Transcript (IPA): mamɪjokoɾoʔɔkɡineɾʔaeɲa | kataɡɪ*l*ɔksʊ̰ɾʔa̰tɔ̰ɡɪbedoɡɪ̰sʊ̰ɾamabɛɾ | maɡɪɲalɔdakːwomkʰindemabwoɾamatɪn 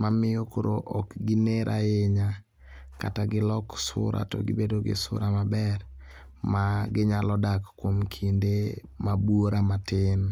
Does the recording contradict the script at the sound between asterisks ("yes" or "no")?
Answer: no